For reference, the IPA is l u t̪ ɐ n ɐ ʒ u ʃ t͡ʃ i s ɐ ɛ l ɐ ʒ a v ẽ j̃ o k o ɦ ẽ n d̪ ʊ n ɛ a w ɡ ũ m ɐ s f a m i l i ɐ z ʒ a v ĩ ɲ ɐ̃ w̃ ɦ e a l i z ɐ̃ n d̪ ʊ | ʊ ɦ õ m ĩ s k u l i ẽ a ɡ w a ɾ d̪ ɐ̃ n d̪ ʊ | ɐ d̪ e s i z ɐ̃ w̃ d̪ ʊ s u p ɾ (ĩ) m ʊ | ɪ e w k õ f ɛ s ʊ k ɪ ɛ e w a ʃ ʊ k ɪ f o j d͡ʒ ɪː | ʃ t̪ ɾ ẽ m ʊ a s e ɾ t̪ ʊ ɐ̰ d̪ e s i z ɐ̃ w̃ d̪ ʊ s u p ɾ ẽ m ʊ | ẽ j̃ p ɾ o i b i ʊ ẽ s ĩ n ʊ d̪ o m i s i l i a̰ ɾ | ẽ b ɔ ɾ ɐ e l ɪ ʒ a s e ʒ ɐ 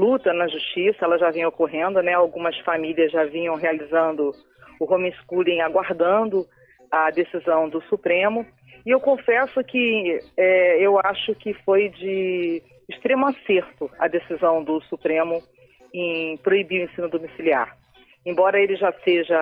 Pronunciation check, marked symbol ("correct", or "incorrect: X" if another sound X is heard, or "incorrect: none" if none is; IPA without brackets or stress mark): incorrect: ẽ